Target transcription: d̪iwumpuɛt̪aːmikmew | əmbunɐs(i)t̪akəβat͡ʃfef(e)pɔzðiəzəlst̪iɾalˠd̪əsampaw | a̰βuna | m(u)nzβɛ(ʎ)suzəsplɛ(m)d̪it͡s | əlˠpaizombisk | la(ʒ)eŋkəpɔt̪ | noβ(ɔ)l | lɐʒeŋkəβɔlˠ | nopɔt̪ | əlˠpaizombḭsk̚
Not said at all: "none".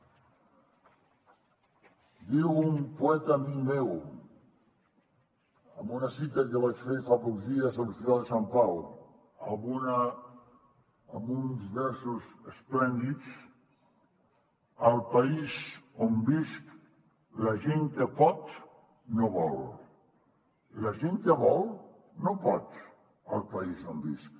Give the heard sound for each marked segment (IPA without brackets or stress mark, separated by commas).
i, a, u, ɾ, n, ʒ, ɔ